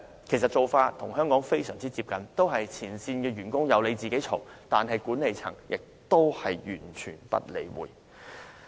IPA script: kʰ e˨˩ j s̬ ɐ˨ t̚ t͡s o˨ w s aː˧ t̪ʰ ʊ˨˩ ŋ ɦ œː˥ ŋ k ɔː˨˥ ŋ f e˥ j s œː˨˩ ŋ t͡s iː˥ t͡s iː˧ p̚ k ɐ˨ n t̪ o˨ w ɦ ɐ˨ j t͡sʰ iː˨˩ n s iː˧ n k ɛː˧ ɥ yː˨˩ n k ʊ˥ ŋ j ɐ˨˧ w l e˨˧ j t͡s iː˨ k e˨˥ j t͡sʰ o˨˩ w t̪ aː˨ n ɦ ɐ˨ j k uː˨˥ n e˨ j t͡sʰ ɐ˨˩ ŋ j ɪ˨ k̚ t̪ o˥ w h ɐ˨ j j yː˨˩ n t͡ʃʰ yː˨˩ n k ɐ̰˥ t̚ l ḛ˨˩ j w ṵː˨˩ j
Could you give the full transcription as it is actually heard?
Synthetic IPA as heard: kʰ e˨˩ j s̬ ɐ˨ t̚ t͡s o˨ w f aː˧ t̪ʰ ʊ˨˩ ŋ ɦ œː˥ ŋ k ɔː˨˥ ŋ f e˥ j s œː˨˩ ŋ t͡s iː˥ t͡s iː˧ p̚ k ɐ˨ n t̪ o˥ w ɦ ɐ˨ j t͡sʰ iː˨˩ n s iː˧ n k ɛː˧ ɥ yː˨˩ n k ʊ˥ ŋ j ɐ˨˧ w l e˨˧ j t͡s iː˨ k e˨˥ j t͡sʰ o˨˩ w t̪ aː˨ n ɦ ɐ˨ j k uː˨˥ n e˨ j t͡sʰ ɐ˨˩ ŋ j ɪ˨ k̚ t̪ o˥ w h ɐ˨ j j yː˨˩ n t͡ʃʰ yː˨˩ n p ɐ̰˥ t̚ l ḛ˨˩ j w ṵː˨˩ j